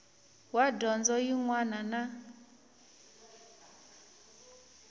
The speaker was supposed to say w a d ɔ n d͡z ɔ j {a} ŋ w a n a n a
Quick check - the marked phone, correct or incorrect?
incorrect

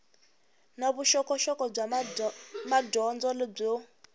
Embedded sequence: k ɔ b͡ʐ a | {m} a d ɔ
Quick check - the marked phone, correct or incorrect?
correct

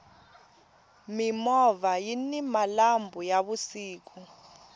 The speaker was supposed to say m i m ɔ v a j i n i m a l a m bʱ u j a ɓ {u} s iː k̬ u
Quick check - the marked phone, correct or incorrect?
correct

